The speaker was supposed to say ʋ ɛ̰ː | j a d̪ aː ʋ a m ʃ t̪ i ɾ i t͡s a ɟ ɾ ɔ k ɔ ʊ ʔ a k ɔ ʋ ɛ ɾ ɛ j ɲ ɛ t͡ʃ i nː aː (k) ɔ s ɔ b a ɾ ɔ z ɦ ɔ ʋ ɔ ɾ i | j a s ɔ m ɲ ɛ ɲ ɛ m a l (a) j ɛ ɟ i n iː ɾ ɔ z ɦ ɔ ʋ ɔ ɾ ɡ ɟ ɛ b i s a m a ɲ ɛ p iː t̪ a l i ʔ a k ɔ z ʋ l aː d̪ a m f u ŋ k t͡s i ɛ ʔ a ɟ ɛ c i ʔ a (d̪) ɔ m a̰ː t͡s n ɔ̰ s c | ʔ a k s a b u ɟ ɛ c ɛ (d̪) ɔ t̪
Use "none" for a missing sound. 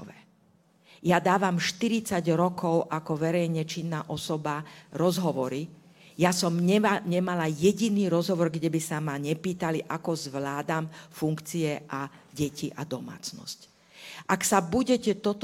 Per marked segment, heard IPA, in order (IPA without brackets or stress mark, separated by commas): ʔ, a, d̪, t̪